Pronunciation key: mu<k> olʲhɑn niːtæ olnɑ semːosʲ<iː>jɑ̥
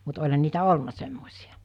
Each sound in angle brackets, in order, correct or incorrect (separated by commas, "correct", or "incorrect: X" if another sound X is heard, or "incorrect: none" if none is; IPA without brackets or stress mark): incorrect: t, incorrect: i